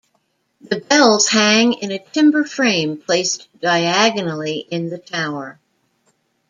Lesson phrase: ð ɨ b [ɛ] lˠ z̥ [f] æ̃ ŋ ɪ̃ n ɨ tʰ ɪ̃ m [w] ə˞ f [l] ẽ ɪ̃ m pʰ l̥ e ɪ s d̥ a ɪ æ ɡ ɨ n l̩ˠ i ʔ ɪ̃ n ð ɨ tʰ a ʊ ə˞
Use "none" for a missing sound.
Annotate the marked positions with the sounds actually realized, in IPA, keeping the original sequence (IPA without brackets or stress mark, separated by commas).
ɛ, h, b, ɹ